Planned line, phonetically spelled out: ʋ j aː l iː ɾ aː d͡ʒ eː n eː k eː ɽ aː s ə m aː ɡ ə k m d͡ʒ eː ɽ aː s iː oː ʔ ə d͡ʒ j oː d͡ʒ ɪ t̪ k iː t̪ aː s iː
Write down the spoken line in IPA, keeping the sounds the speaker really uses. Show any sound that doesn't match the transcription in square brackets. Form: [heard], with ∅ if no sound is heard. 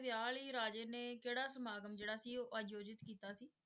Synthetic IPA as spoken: ʋ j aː l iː ɾ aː d͡ʒ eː n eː k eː ɽ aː s ə m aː ɡ ə [∅] m d͡ʒ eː ɽ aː s iː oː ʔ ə d͡ʒ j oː d͡ʒ ɪ t̪ k iː t̪ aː s iː

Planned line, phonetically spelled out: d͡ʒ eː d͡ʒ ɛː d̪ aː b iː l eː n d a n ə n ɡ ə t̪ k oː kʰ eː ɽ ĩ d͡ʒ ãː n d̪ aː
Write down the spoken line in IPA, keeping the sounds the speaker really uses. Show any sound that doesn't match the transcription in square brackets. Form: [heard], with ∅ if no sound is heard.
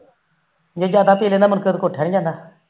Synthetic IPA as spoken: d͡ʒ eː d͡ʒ [aː] d̪ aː [p] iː l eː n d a [m] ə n [k] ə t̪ k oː [ʈʰ] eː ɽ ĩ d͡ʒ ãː n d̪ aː

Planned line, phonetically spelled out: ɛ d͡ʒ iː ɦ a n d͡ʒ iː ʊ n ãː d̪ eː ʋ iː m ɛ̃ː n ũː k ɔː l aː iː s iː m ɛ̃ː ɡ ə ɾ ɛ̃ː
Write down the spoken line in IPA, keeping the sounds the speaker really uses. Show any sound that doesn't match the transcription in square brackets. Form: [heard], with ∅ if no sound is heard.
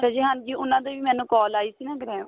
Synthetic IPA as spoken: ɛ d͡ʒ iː ɦ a n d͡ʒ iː ʊ n ãː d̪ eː ʋ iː m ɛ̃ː n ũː k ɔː l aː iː s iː [n] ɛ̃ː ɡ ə ɾ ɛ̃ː

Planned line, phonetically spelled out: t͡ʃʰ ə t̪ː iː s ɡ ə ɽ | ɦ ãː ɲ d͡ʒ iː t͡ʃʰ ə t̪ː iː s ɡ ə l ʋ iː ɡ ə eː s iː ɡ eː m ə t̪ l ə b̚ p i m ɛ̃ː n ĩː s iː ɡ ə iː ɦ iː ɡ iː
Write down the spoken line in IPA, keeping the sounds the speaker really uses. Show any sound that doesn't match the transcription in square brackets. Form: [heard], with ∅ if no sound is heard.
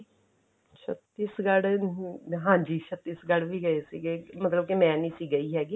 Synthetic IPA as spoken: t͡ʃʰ ə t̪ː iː s ɡ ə ɽ | ɦ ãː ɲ d͡ʒ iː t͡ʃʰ ə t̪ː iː s ɡ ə [ɽ] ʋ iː ɡ ə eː s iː ɡ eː m ə t̪ l ə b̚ [k] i m ɛ̃ː n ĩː s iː ɡ ə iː ɦ [ɛː] ɡ iː

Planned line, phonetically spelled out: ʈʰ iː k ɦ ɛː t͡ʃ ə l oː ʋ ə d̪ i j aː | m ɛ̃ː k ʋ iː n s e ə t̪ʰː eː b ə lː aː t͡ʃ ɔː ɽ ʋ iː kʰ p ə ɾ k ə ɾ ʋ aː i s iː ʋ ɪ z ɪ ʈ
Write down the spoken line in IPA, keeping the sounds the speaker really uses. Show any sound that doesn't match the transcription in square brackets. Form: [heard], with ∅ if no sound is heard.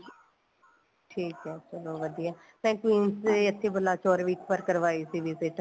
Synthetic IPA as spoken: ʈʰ iː k ɦ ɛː t͡ʃ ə l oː ʋ ə d̪ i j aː | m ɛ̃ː k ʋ iː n s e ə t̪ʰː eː b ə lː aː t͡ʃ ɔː [ɾ] ʋ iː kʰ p ə ɾ k ə ɾ ʋ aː i s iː ʋ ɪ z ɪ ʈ

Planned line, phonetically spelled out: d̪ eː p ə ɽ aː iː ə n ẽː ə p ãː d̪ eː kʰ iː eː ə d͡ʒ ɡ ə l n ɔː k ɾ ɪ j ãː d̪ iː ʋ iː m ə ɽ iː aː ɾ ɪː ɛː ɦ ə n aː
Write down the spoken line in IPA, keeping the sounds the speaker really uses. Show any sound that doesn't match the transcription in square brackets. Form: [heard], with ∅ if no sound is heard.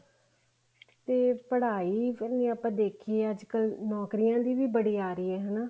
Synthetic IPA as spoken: [t̪] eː p ə ɽ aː iː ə n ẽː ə p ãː d̪ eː kʰ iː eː ə d͡ʒ [k] ə l n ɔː k ɾ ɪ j ãː d̪ iː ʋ iː [b] ə ɽ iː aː ɾ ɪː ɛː ɦ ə n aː

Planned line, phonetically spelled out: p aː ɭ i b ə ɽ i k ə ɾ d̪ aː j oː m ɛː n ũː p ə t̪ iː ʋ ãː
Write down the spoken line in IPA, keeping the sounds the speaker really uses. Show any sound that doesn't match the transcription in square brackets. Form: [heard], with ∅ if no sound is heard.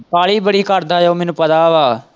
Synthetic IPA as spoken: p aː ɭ [iː] b ə ɽ [iː] k ə ɾ d̪ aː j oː m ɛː n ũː p ə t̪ [aː] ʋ [aː]

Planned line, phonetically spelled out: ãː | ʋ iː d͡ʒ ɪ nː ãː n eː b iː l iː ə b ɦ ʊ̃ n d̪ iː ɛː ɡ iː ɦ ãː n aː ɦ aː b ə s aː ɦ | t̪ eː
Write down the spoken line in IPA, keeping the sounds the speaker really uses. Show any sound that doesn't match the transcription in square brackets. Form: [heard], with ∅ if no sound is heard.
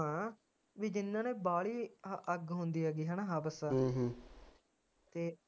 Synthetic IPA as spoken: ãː | ʋ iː d͡ʒ ɪ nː ãː n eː b [aː] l iː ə [ɡ] ɦ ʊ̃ n d̪ iː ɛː ɡ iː ɦ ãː n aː ɦ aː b ə s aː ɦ | t̪ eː

